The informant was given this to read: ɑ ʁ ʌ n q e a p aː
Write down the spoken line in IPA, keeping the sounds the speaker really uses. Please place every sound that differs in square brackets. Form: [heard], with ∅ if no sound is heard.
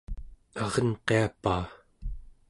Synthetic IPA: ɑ ʁ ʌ n q e a p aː